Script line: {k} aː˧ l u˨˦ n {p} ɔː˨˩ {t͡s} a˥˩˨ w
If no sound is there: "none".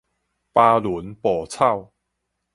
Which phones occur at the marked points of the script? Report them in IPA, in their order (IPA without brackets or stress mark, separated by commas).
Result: p, p, t͡sʰ